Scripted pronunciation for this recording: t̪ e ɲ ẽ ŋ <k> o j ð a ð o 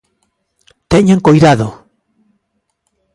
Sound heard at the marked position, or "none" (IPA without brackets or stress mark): k